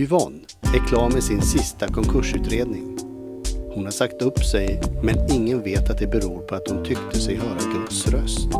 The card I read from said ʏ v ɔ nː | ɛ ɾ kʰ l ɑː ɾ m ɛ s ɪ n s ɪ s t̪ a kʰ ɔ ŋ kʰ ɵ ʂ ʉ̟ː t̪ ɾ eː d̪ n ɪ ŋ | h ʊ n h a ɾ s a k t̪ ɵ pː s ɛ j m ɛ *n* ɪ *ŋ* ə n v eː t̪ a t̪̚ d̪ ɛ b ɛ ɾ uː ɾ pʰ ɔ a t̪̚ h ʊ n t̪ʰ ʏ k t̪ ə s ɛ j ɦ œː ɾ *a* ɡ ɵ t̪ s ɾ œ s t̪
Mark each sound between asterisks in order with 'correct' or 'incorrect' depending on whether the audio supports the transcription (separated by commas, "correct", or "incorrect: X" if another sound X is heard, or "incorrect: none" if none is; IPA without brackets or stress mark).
correct, incorrect: ŋː, correct